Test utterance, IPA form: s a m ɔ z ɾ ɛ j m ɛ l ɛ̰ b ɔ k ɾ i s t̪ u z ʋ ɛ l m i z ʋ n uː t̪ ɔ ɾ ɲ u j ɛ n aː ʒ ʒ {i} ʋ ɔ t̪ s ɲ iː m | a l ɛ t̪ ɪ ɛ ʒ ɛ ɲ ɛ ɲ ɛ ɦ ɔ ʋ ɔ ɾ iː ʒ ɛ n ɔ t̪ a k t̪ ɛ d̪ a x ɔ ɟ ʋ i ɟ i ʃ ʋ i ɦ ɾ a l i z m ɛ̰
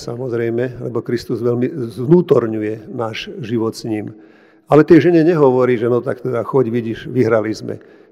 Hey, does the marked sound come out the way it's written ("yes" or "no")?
yes